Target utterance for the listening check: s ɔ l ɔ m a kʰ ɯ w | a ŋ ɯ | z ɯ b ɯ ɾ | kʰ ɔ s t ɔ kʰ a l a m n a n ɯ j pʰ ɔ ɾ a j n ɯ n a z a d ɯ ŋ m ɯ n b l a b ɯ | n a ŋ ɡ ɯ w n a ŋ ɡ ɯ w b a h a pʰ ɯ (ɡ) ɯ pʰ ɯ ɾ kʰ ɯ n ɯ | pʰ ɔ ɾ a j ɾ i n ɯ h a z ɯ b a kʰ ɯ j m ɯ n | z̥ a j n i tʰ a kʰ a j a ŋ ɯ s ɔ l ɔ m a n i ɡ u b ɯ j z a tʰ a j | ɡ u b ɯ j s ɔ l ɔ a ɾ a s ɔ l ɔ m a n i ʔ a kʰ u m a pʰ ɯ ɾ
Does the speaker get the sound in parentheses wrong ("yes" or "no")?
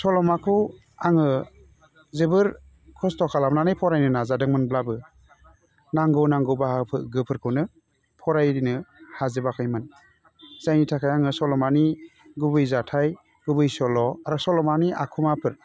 no